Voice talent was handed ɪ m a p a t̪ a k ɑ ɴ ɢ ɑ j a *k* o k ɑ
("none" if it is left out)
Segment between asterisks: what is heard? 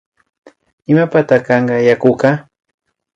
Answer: k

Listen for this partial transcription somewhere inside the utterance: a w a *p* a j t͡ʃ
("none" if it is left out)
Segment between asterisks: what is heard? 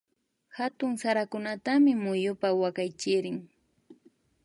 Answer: k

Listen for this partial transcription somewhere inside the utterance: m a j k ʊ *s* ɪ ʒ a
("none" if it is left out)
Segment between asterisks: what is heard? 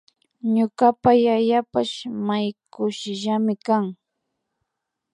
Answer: ʃ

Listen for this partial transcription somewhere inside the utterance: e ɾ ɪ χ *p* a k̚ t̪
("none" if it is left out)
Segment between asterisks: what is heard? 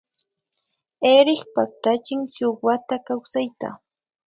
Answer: p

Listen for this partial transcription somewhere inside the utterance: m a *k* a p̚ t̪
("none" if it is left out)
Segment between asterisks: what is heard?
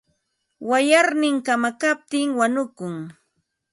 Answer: k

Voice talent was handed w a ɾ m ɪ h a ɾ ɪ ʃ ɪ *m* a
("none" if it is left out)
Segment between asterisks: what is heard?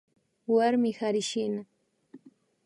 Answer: n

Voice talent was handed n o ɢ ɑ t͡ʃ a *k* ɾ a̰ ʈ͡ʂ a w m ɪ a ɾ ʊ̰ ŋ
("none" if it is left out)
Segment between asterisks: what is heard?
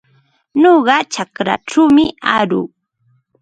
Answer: k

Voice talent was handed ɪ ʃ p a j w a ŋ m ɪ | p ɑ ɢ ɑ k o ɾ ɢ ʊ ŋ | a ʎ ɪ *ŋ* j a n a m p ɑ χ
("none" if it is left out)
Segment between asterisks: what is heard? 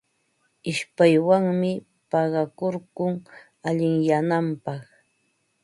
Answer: ŋ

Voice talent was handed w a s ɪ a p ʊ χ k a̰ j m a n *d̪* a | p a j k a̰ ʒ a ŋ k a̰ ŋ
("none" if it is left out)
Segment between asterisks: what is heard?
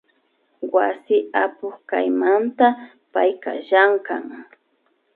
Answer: t̪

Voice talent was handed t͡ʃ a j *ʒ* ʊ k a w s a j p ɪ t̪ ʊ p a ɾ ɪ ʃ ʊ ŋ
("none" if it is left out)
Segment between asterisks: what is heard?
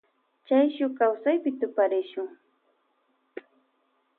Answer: ʃ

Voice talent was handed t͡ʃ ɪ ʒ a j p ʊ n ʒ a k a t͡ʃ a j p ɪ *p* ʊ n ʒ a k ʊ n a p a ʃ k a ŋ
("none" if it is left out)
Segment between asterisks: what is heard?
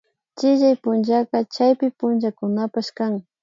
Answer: p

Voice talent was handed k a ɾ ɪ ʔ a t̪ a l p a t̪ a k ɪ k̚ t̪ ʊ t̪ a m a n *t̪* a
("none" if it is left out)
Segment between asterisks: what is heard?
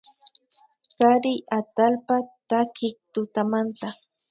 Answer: t̪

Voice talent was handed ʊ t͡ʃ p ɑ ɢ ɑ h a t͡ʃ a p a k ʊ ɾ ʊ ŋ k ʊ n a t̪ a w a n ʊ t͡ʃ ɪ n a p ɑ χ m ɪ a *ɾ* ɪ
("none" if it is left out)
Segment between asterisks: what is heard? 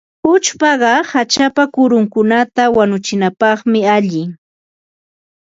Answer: ʎ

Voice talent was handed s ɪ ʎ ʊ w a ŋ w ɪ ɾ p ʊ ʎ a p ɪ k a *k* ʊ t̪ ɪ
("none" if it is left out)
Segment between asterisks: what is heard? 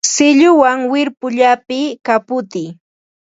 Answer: p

